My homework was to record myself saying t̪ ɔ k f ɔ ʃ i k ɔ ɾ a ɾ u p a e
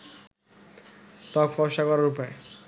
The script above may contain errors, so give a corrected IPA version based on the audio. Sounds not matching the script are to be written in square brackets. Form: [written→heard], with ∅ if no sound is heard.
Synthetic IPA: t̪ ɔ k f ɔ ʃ [i→a] k ɔ ɾ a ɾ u p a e